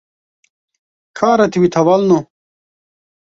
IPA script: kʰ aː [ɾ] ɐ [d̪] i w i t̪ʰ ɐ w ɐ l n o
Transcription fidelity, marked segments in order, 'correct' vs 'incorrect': correct, incorrect: t̪

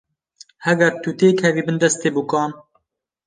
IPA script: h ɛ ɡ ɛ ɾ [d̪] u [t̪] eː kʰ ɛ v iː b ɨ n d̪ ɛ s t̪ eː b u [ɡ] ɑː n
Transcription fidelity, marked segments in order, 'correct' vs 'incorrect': incorrect: t̪, correct, incorrect: k

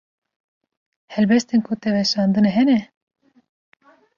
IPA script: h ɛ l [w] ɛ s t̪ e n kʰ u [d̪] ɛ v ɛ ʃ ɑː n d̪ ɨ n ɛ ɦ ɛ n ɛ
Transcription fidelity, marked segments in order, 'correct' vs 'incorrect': incorrect: b, incorrect: t̪

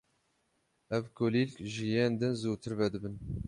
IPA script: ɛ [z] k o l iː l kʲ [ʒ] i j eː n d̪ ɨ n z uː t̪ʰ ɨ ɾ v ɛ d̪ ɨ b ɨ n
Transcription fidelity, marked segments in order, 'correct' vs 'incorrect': incorrect: v, correct

